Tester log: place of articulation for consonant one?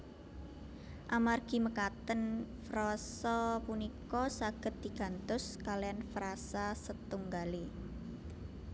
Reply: glottal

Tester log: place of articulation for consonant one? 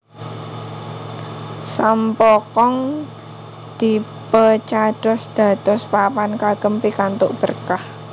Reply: alveolar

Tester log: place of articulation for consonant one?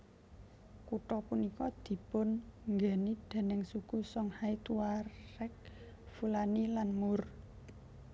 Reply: velar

